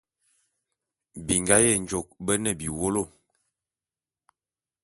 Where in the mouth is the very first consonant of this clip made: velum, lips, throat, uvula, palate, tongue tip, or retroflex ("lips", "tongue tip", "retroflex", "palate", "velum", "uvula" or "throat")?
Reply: lips